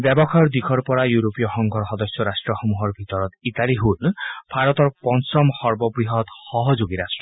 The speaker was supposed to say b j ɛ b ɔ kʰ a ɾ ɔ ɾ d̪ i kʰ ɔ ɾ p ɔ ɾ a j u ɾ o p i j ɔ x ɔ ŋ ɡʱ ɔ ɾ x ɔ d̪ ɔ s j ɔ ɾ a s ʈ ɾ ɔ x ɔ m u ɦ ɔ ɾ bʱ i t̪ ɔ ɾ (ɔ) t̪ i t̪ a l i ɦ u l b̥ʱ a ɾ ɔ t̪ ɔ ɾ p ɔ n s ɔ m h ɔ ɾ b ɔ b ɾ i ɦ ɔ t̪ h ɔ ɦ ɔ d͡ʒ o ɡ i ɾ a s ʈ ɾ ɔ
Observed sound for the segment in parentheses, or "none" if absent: ɔ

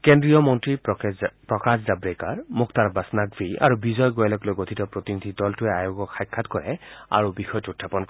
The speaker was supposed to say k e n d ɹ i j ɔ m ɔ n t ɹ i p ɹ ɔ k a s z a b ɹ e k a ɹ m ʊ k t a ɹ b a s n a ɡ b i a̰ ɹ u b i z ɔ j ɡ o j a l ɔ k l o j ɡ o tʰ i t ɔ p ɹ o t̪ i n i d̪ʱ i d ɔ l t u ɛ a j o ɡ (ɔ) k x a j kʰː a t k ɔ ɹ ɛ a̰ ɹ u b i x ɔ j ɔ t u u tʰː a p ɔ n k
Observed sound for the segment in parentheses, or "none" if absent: ɔ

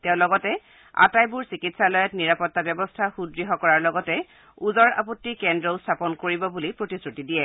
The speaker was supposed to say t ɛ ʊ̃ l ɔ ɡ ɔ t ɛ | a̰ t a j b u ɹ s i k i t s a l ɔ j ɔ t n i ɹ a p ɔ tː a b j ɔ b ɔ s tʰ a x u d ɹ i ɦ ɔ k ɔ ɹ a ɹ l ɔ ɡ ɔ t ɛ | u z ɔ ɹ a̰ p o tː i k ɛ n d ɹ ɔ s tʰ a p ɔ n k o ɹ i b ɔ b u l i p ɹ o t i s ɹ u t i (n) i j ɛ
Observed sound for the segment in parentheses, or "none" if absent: d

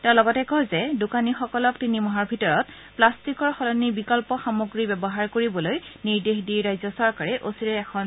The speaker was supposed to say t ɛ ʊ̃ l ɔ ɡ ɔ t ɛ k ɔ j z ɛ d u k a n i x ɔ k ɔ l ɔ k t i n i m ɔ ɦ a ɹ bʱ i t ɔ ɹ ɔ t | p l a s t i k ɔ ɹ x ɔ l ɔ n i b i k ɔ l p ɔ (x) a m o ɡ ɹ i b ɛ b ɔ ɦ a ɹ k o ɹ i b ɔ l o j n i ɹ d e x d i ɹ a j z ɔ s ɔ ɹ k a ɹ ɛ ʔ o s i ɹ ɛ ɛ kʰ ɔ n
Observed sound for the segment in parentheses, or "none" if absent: x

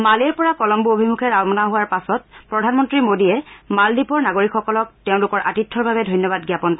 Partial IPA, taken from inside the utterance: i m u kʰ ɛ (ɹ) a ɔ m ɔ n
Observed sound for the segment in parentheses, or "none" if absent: ɹ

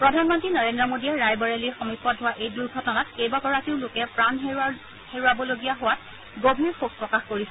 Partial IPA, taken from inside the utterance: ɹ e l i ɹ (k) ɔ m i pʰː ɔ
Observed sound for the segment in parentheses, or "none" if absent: x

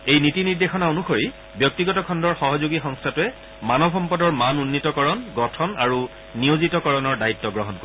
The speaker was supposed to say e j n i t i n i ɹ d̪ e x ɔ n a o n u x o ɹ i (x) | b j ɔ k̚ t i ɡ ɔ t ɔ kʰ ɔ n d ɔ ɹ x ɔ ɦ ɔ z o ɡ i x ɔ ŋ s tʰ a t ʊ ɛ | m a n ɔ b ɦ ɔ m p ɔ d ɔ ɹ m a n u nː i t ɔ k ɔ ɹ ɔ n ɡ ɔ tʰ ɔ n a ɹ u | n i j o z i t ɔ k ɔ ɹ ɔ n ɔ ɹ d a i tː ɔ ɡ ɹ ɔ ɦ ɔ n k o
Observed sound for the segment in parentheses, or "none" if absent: none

